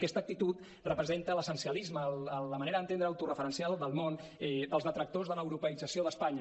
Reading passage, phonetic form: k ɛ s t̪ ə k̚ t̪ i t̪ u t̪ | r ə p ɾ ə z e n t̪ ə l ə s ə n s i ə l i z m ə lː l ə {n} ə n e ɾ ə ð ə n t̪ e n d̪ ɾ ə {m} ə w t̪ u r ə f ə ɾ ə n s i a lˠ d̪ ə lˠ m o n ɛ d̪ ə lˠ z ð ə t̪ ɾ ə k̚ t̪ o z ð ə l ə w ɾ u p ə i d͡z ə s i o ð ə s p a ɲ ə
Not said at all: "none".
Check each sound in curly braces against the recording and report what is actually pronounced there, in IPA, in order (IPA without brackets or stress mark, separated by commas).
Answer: m, none